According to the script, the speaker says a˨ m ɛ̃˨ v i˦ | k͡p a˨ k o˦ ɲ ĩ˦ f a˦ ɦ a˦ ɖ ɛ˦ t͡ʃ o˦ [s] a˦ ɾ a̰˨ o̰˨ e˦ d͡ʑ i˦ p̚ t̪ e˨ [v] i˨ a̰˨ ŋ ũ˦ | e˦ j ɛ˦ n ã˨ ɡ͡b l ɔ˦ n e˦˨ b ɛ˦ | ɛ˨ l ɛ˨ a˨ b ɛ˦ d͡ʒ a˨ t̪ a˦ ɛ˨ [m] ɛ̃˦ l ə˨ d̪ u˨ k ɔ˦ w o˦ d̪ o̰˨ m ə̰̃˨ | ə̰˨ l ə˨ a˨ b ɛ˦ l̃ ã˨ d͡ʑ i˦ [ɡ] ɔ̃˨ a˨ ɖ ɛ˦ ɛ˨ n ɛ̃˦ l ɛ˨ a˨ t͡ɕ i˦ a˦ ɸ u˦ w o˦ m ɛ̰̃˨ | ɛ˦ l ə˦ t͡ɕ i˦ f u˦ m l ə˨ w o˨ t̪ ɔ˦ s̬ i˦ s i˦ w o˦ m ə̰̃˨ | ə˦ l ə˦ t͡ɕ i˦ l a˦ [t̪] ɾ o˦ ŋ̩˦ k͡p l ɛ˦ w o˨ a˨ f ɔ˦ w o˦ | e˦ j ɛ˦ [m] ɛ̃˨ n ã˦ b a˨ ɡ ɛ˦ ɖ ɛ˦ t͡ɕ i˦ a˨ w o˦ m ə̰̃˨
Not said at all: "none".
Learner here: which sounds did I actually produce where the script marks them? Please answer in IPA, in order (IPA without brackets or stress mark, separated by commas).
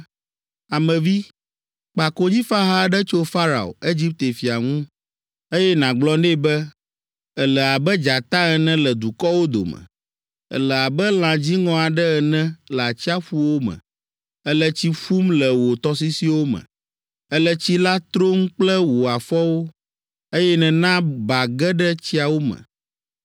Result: f, f, n, ŋ, t̪, n